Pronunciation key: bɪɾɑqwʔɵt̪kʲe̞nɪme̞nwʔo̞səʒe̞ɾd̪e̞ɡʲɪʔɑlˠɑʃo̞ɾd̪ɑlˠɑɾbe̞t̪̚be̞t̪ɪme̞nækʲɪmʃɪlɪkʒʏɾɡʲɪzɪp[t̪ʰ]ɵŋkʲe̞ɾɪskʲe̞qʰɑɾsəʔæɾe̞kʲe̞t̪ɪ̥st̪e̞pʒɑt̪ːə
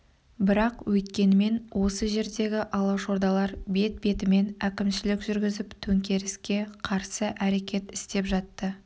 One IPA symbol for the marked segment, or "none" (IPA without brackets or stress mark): t̪ʰ